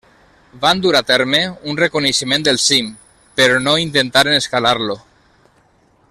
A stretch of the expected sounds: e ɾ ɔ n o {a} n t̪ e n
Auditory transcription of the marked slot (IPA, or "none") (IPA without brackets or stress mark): i